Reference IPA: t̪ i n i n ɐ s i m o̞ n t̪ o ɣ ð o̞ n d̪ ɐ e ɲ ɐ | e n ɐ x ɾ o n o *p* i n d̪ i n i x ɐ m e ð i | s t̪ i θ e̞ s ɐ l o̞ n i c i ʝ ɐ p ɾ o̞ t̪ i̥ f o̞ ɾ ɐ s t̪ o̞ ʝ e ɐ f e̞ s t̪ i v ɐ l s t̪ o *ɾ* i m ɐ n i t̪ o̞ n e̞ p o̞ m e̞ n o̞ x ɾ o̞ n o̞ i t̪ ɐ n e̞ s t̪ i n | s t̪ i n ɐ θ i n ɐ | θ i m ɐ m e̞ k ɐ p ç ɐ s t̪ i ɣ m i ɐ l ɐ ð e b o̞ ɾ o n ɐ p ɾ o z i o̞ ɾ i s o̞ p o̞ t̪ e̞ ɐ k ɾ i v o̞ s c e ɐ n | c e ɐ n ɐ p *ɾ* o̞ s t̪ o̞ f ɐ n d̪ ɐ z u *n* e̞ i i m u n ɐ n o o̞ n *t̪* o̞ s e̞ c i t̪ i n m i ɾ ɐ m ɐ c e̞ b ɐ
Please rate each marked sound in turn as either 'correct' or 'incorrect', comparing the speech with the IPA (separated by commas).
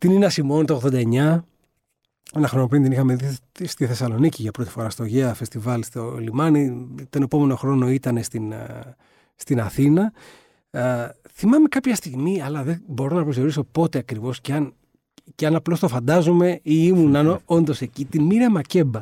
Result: correct, incorrect, incorrect, incorrect, incorrect